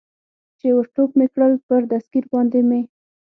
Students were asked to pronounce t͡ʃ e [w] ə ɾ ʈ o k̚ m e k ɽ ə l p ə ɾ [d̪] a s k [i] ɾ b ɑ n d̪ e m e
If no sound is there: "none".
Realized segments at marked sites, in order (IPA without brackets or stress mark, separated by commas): w, d̪, i